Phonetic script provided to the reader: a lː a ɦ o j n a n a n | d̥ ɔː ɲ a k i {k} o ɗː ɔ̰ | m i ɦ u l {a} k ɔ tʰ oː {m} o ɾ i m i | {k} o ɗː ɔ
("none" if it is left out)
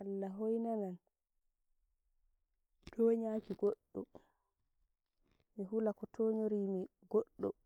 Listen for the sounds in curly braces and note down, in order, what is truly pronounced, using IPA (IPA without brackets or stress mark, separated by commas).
ɡ, a, ɲ, ɡ